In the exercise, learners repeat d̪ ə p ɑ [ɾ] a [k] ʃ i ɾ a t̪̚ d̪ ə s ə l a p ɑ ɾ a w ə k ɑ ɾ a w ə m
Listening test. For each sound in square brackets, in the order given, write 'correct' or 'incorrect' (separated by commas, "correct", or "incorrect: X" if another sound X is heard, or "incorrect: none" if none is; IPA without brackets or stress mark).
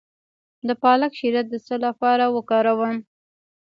incorrect: l, correct